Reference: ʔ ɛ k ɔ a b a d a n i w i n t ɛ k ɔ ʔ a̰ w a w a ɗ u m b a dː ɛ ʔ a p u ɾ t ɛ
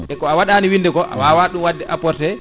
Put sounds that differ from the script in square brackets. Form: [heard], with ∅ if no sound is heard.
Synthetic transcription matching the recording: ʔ ɛ k ɔ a [w] a [ɗ] a n i w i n [d] ɛ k ɔ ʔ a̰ w a w a ɗ u m [w] a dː ɛ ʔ a p [ɔ] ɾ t ɛ